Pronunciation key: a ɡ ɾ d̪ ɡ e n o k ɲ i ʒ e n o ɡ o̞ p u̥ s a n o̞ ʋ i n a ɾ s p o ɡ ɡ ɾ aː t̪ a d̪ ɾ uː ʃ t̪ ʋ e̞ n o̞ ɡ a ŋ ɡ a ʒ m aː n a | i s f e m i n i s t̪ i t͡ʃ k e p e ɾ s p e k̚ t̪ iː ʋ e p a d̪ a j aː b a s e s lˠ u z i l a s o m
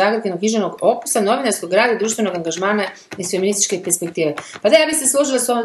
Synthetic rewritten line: a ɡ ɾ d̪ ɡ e n o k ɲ i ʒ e n o ɡ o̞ p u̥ s a n o̞ ʋ i n a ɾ s k o ɡ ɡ ɾ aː d̪ a d̪ ɾ uː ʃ t̪ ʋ e̞ n o̞ ɡ a ŋ ɡ a ʒ m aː n a | i s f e m i n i s t̪ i t͡ʃ k e p e ɾ s p e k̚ t̪ iː ʋ e p a d̪ a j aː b i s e s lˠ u ʒ i l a s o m